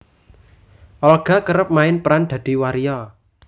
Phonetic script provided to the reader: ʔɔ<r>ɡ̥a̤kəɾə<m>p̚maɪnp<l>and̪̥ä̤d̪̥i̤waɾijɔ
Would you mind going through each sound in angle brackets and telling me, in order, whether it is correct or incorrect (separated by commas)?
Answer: incorrect, incorrect, incorrect